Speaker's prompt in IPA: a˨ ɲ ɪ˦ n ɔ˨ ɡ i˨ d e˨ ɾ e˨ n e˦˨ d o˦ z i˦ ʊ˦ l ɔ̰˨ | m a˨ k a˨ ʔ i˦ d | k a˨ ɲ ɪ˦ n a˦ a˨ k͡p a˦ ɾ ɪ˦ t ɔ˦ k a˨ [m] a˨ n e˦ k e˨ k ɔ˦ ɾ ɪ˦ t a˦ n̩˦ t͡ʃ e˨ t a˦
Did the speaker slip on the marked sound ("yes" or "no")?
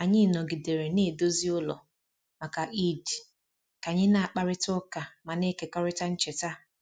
no